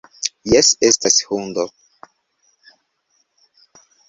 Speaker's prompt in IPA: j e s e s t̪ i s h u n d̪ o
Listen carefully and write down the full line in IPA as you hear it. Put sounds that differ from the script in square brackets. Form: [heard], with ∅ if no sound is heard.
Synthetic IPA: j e s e s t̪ [a] s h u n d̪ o